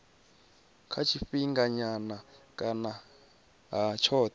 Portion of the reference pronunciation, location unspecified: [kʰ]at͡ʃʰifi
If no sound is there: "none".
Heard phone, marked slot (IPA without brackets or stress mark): kʰ